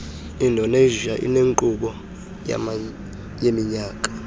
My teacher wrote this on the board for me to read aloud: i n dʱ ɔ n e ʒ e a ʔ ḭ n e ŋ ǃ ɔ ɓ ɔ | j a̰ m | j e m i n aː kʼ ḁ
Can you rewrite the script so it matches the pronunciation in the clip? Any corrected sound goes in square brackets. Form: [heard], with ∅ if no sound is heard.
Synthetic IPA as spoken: i n dʱ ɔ n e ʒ [i] a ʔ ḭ n e ŋ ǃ [u] ɓ ɔ | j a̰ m | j e m i [ɲ] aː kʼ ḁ